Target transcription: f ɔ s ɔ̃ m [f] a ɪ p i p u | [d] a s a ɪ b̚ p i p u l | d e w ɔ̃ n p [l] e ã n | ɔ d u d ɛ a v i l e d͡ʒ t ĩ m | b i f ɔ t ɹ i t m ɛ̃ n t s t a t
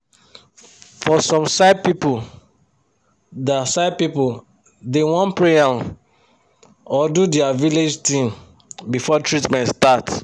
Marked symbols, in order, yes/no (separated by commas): no, yes, no